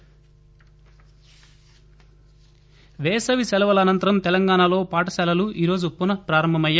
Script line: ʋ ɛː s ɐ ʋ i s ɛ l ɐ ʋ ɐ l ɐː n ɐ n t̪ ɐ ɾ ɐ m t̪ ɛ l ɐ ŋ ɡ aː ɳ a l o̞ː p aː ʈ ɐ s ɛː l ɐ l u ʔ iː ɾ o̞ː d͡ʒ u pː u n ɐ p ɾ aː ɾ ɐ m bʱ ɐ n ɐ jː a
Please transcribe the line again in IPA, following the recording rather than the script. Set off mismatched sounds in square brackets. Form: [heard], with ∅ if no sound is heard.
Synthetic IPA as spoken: ʋ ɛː s ɐ ʋ i s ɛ l ɐ ʋ ɐ l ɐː n ɐ n t̪ ɐ ɾ ɐ m t̪ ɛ l ɐ ŋ ɡ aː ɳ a l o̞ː p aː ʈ ɐ s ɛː l ɐ l u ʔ iː ɾ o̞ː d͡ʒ u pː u n ɐ p ɾ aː ɾ ɐ m bʱ ɐ [m] ɐ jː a